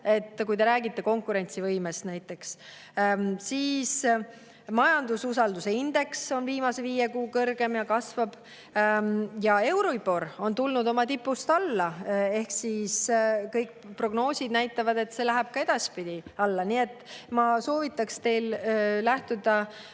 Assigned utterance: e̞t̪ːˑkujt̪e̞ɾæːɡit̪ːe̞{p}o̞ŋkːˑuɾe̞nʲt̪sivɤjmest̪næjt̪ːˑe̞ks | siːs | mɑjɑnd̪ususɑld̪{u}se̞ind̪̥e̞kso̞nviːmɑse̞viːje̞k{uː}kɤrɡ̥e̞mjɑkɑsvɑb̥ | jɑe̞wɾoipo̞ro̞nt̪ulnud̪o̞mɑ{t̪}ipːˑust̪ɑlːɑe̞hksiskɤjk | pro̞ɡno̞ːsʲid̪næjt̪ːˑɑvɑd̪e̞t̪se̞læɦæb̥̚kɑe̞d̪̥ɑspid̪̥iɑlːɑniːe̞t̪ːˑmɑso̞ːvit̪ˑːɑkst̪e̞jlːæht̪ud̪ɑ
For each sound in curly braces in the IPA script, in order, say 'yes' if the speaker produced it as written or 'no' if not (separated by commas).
no, yes, yes, yes